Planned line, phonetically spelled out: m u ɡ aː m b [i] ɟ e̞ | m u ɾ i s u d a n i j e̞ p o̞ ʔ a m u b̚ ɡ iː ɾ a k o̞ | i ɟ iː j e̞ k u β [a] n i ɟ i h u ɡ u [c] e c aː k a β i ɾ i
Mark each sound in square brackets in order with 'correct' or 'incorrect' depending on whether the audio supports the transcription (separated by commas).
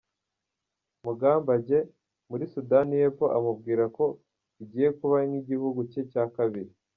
incorrect, correct, correct